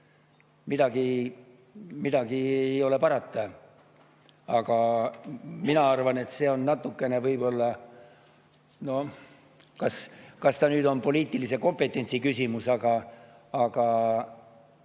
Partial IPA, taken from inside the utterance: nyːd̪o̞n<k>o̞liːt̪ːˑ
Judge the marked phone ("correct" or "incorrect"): incorrect